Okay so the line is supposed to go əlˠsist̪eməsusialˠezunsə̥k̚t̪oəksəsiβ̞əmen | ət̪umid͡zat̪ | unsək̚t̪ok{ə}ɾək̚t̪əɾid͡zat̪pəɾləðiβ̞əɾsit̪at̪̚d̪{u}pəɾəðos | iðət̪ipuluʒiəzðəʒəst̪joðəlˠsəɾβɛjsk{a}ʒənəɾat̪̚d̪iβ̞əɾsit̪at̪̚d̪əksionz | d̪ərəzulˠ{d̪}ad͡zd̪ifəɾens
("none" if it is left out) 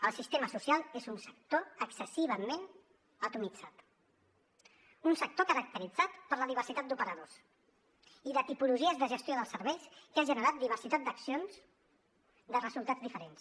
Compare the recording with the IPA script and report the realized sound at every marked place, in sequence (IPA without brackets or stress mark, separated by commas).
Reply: ə, u, a, t̪